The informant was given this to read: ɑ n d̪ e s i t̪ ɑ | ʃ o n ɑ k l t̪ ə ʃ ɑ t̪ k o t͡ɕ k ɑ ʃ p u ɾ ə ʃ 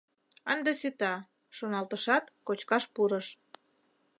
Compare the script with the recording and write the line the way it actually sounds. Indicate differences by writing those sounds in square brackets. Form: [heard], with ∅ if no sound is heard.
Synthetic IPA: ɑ n d̪ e s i t̪ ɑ | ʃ o n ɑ [∅] l t̪ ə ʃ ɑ t̪ k o t͡ɕ k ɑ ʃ p u ɾ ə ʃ